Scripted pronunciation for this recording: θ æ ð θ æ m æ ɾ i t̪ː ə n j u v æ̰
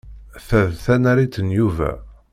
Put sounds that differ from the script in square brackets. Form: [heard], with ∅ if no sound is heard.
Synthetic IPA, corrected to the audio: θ æ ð θ æ [n] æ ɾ i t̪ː ə n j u v æ̰